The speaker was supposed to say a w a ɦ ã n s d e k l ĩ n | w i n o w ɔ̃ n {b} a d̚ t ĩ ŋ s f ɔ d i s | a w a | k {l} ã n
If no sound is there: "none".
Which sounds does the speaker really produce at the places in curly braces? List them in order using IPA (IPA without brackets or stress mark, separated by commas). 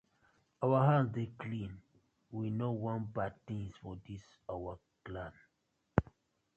b, l